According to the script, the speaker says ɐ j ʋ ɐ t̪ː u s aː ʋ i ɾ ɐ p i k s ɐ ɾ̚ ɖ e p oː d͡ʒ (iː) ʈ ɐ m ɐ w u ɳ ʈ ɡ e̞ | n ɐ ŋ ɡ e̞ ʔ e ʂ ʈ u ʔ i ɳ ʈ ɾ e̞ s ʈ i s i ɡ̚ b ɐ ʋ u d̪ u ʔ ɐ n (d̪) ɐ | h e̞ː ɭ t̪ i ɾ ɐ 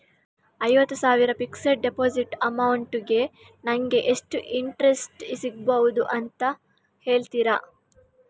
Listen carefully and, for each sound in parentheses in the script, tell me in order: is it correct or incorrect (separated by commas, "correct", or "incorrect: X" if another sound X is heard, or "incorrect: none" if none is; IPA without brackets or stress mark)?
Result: incorrect: i, incorrect: t̪